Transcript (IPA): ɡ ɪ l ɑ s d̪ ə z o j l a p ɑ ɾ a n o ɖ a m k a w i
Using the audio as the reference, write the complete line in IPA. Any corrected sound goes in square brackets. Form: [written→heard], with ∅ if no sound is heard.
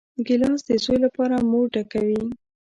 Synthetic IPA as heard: ɡ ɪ l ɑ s d̪ ə [z→s] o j l a p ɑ ɾ a [n→m] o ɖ a [m→∅] k a w i